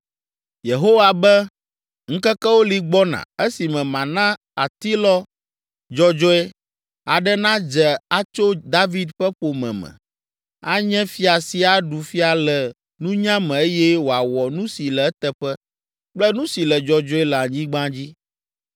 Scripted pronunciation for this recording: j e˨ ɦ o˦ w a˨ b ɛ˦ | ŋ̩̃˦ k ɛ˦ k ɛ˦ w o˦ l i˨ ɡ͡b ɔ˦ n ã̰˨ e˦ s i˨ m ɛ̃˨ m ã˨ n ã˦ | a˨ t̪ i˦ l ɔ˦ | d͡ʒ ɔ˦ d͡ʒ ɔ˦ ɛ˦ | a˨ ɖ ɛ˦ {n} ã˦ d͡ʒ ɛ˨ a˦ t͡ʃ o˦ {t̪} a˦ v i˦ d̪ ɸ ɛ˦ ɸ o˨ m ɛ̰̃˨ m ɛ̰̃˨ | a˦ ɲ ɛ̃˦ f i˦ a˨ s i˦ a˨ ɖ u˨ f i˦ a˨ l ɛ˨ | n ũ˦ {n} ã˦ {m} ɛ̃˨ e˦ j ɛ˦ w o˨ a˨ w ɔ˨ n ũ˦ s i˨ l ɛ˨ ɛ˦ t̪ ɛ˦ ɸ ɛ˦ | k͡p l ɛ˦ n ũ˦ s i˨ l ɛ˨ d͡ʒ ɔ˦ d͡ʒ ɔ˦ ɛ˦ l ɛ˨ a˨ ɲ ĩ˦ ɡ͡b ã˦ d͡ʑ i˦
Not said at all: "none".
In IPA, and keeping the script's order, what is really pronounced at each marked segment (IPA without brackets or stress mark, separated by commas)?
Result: n, d̪, ɲ, m